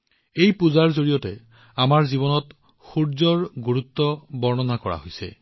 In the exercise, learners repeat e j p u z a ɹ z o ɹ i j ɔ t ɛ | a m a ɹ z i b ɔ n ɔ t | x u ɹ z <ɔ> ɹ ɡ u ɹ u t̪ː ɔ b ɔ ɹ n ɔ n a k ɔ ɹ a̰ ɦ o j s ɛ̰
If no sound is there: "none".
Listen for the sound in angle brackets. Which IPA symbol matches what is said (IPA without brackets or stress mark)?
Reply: ɔ